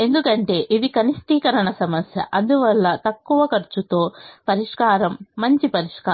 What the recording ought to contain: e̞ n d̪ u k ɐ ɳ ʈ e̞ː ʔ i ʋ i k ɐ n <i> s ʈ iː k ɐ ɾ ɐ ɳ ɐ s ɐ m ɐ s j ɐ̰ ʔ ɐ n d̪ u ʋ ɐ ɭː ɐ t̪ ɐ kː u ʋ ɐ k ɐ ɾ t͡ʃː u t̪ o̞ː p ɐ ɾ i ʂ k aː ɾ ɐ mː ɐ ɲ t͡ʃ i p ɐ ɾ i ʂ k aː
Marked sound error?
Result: no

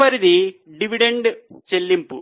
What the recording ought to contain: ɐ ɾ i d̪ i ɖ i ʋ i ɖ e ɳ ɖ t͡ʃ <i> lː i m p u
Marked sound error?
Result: yes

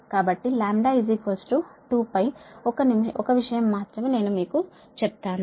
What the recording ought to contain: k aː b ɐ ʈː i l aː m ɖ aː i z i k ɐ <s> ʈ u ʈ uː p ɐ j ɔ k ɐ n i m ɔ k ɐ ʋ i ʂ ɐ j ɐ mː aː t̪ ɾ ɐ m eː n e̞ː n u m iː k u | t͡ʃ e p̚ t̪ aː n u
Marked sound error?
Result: no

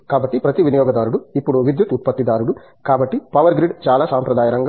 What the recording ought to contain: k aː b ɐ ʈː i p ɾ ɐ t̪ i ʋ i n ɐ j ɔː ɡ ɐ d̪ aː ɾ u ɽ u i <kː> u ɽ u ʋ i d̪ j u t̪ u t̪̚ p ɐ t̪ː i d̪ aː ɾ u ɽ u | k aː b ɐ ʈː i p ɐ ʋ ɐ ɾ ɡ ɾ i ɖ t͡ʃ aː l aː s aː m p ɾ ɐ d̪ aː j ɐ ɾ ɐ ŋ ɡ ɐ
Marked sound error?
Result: yes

